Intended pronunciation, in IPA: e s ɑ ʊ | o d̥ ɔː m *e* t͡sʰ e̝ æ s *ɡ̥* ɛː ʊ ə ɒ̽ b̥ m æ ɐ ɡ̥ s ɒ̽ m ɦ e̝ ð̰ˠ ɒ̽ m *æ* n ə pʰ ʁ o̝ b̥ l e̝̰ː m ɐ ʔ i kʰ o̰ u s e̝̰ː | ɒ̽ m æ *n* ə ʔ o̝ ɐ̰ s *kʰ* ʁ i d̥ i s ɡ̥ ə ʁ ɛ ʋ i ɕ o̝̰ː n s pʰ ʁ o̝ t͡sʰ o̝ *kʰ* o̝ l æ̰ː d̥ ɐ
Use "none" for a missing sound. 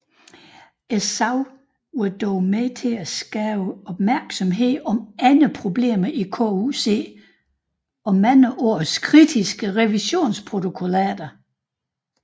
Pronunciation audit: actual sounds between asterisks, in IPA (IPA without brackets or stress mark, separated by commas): e, ɡ̥, æ, n, kʰ, kʰ